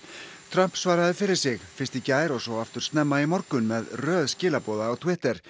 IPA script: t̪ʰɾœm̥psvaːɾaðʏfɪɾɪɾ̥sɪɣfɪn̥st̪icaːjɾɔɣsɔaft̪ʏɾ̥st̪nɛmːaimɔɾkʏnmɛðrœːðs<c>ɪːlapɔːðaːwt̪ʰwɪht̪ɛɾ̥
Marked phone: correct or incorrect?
correct